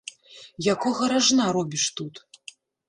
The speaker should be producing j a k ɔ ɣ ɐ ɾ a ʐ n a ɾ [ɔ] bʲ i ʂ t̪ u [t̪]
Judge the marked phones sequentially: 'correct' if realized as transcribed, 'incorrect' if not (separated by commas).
correct, correct